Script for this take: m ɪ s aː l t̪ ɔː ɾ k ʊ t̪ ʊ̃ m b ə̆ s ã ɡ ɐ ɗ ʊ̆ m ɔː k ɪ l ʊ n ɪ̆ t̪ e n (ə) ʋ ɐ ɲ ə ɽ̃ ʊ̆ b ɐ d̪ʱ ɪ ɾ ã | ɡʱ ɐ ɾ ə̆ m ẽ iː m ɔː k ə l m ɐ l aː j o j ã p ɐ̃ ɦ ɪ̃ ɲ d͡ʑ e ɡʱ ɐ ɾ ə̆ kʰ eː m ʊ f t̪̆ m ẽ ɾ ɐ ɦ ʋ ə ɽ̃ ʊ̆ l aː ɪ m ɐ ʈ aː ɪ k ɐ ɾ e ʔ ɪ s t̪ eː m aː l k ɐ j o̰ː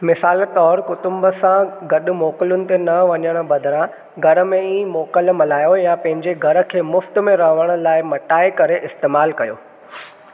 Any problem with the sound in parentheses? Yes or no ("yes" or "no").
yes